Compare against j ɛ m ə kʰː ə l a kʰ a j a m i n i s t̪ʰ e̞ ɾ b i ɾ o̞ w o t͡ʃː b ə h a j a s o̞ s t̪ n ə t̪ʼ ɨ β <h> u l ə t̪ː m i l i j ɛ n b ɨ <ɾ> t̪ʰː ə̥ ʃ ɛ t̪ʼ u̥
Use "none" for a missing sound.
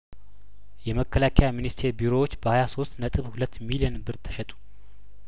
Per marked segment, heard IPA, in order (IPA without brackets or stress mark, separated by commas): h, ɾ